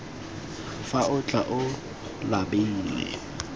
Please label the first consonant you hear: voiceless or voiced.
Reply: voiceless